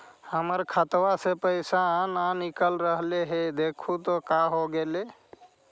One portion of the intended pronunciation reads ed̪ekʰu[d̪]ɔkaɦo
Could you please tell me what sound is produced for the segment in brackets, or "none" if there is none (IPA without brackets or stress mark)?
t̪